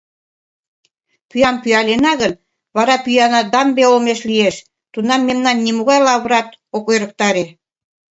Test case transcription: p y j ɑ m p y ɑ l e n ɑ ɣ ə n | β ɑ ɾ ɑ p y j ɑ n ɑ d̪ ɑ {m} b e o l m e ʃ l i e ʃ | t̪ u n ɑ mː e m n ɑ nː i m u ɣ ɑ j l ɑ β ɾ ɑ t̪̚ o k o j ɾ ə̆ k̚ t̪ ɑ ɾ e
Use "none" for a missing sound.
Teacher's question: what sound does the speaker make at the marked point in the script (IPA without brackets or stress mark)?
m